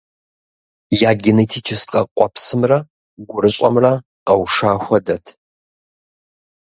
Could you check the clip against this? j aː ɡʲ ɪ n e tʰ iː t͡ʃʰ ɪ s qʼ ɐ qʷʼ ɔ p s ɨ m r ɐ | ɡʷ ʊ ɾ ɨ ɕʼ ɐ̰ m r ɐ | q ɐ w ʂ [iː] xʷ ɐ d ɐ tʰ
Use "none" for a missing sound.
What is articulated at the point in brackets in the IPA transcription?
aː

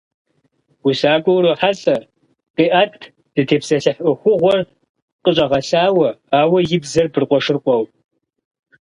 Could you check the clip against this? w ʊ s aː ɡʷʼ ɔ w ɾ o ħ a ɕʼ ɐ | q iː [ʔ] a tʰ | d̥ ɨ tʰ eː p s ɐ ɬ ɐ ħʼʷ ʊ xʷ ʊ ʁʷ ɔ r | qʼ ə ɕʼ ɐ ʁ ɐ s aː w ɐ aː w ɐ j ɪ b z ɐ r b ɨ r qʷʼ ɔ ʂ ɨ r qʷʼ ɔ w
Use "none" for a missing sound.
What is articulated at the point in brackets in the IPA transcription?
ʔ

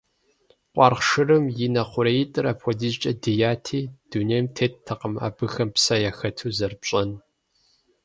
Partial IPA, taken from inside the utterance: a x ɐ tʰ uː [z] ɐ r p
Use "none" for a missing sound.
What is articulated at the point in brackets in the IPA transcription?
z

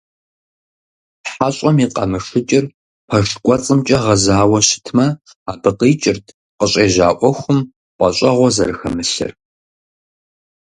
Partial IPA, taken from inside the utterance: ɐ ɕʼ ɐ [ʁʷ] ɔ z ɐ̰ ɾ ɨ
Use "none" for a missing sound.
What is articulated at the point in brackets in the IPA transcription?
ʁʷ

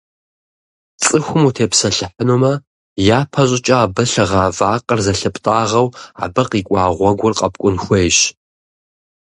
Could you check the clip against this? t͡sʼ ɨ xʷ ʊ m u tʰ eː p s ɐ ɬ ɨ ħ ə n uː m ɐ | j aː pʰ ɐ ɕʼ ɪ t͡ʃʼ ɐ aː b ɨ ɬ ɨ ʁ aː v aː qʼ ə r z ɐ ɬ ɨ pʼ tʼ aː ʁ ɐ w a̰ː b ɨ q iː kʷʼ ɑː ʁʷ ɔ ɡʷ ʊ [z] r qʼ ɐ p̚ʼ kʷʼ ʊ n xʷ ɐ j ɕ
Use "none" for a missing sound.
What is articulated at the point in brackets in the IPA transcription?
none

